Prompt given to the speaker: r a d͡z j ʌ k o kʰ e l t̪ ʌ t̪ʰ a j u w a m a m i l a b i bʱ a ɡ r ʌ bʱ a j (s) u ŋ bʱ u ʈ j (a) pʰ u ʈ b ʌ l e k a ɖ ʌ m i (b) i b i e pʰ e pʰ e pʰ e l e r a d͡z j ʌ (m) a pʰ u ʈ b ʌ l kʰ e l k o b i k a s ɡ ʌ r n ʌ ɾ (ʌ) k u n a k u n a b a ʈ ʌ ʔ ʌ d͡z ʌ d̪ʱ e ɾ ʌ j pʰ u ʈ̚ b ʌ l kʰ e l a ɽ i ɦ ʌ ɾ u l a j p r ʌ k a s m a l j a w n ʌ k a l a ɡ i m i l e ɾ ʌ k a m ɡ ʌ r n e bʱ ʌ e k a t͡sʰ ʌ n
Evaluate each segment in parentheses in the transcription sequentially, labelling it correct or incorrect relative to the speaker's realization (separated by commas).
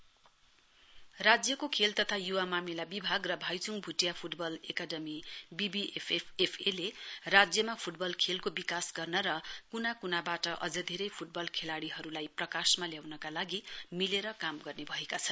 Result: incorrect, correct, correct, correct, correct